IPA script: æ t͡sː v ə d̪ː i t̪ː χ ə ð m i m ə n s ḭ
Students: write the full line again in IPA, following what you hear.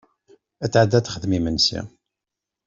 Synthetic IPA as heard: æ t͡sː ʕ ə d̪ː æ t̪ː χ ə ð m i m ə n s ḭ